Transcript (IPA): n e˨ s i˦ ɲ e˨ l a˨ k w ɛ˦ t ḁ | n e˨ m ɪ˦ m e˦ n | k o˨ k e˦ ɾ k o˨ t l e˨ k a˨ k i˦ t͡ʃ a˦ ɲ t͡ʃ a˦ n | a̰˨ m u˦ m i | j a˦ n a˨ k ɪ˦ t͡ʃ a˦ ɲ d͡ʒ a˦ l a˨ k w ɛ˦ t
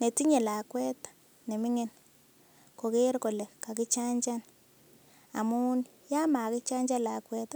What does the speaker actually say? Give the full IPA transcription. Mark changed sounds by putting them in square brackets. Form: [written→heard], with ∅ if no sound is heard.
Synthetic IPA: n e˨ [s→t] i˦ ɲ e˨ l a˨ k w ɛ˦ t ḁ | n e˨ m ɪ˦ [m→ŋ] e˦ n | k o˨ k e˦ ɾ k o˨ [t→∅] l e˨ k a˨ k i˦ t͡ʃ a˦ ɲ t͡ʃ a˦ n | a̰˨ m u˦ [m→n] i | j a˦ [n→m] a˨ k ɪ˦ t͡ʃ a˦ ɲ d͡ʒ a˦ l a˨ k w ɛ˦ t

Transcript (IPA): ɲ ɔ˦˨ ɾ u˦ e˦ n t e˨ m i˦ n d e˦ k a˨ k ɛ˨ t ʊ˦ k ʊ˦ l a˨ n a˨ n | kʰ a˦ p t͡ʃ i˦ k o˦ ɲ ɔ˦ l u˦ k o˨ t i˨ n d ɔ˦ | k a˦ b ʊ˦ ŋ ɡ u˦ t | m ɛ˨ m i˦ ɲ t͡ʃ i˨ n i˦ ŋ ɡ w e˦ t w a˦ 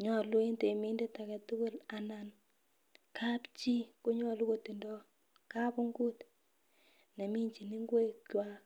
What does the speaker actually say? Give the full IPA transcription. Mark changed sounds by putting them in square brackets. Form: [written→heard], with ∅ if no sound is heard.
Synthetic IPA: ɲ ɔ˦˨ [ɾ→l] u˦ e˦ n t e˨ m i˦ n d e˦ [k→t] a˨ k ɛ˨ t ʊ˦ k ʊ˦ l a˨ n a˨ n | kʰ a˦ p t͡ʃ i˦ k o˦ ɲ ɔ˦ l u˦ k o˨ t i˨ n d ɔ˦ | k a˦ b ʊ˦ ŋ ɡ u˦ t | [m→n] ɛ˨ m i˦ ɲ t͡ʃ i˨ n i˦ ŋ ɡ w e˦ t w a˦

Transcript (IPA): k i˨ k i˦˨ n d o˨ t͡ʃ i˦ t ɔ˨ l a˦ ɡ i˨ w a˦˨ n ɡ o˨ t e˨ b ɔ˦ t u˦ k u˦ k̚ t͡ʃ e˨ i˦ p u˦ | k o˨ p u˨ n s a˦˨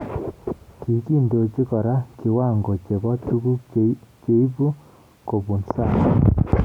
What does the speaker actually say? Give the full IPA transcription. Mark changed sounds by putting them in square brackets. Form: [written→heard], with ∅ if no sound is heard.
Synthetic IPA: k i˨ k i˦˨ n d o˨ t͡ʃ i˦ [t→k] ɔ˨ [l→ɾ] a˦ [ɡ→k] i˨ w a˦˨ [n→ŋ] ɡ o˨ [t→t͡ʃ] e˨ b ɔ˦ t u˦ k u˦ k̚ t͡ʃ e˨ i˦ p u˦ | k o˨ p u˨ n s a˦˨

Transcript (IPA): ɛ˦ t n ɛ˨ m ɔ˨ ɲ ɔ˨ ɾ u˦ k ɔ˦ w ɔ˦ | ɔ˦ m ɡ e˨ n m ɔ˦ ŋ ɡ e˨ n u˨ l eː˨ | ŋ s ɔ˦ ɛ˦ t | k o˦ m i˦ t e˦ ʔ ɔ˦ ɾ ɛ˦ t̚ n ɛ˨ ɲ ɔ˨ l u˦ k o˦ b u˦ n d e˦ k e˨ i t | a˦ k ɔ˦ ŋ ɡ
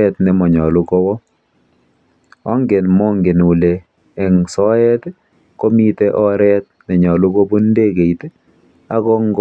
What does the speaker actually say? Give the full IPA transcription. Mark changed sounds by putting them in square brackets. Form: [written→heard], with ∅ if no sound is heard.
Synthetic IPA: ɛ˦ t n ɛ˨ m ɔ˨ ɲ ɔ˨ [ɾ→l] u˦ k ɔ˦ w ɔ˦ | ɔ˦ [m→ŋ] ɡ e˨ n m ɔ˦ ŋ ɡ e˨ n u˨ l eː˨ | ŋ s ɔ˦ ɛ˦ t | k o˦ m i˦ t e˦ ʔ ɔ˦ ɾ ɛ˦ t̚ n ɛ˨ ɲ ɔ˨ l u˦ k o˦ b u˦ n d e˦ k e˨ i t | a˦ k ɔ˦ ŋ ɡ

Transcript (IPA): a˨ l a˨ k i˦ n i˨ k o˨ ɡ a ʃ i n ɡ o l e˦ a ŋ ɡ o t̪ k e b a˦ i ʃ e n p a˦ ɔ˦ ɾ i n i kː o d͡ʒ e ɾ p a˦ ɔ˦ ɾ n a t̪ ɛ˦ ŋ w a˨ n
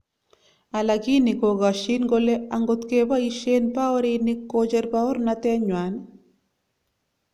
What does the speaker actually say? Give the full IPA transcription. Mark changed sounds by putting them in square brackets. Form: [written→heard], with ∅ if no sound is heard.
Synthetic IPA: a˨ l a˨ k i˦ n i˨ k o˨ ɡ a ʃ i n ɡ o l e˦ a ŋ ɡ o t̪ k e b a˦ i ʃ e n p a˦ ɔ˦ ɾ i n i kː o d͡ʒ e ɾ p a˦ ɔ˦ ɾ n a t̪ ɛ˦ [ŋ→ɲ] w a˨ n

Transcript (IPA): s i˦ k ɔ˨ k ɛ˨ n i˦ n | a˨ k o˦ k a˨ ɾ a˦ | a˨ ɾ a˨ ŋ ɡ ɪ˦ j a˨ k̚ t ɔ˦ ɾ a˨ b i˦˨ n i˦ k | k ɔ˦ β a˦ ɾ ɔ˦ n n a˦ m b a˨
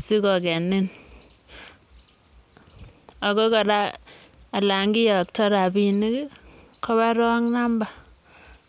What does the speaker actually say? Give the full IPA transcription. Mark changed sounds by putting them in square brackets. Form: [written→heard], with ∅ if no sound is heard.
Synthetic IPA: s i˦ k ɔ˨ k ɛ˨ n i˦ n | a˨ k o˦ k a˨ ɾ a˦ | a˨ [ɾ→l] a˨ ŋ ɡ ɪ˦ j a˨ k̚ t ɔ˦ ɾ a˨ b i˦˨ n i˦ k | k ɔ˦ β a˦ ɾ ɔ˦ [n→ŋ] n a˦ m b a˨

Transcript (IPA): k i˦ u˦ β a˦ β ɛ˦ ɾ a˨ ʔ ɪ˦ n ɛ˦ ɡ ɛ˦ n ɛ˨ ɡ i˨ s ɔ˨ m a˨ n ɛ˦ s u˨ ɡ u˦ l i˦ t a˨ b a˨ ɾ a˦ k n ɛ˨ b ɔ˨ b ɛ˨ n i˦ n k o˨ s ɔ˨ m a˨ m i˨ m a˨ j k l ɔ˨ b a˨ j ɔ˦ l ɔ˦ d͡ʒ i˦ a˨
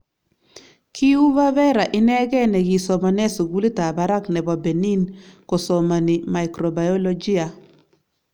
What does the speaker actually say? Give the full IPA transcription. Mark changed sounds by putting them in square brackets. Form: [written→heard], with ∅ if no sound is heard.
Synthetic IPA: k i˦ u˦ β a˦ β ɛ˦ ɾ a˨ ʔ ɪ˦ n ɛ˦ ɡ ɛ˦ n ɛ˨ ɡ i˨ s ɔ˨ m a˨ n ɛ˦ s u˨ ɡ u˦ l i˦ t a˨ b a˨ ɾ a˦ k n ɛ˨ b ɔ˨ b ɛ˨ n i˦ n k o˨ s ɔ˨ m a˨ [m→n] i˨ m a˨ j k [l→ɾ] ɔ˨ b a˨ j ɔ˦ l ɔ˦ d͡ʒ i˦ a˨

